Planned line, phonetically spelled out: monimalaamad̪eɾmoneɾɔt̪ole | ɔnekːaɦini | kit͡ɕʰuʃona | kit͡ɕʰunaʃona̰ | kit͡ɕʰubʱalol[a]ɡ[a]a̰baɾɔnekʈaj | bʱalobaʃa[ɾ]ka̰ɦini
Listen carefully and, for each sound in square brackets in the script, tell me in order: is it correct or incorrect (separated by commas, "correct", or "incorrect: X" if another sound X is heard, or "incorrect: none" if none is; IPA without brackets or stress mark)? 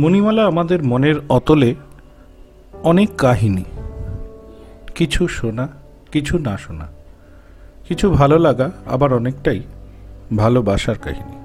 correct, correct, correct